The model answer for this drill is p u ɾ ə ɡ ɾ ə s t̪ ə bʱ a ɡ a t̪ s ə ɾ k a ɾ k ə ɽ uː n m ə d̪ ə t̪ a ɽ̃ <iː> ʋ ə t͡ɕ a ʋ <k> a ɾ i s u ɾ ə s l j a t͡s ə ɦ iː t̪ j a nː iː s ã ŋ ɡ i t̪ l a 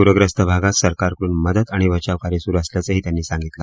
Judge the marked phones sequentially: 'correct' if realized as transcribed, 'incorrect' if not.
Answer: incorrect, correct

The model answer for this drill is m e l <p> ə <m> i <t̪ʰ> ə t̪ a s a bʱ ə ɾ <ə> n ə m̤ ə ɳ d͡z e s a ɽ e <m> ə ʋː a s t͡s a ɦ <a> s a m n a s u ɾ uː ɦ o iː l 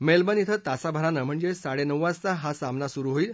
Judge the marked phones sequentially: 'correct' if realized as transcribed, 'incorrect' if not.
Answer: incorrect, incorrect, correct, incorrect, incorrect, correct

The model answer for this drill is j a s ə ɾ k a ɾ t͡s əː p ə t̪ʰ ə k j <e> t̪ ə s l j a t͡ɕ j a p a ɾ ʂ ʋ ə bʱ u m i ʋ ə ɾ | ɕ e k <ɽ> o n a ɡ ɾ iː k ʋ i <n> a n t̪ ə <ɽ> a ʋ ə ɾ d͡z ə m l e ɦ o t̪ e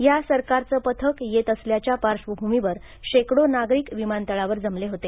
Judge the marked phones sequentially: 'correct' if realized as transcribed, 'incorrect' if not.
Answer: correct, correct, incorrect, incorrect

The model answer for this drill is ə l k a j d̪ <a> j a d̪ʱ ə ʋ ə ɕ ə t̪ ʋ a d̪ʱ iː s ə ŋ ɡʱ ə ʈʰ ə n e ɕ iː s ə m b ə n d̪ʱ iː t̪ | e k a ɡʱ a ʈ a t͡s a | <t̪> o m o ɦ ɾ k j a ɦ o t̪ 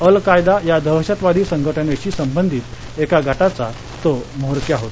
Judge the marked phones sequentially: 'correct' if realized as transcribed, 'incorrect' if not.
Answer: correct, correct

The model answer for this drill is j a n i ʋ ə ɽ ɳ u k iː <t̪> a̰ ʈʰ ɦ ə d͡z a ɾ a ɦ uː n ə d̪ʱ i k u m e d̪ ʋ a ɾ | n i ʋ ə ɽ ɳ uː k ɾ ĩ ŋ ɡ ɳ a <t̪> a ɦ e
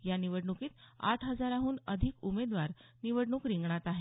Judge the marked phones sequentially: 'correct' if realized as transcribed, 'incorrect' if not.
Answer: correct, correct

